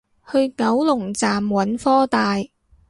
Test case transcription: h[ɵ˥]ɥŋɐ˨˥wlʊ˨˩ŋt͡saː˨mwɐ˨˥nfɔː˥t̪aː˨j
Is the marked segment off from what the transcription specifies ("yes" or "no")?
yes